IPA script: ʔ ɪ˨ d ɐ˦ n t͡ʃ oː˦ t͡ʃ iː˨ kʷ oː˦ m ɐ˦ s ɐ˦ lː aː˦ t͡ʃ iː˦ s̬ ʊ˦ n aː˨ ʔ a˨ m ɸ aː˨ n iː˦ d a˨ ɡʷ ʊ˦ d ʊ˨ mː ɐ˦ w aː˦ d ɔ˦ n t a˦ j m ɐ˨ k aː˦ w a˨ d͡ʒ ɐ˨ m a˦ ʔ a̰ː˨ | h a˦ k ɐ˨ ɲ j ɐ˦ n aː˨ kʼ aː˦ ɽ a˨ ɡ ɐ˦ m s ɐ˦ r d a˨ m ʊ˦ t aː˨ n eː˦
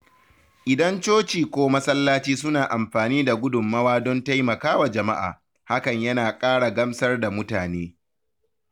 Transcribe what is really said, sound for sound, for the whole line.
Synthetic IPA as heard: ʔ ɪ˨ d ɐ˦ n t͡ʃ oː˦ t͡ʃ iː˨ kʷ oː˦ m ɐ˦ s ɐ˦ lː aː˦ t͡ʃ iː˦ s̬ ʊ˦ n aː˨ ʔ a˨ m ɸ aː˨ n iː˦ d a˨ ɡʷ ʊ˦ d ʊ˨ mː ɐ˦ w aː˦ d ɔ˦ n t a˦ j m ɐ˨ k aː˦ w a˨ d͡ʒ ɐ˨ m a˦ ʔ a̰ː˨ | h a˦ k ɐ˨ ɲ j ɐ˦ n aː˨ kʼ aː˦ ɽ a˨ ɡ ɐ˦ m s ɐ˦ r d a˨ m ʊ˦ t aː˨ n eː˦